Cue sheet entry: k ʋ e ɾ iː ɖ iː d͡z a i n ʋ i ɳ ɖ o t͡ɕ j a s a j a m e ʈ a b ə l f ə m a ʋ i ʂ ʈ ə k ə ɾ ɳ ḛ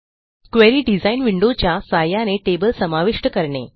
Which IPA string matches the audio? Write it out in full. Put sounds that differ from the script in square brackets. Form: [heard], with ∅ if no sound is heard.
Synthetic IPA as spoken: k ʋ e ɾ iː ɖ [i] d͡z a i n ʋ i ɳ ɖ o t͡ɕ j a s a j a [n] e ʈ [e] b ə l [s] ə m a ʋ i ʂ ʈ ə k ə ɾ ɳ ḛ